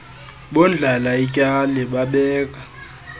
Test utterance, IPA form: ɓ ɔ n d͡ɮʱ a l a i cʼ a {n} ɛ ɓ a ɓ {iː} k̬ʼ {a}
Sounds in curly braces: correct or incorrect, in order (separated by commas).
correct, incorrect, correct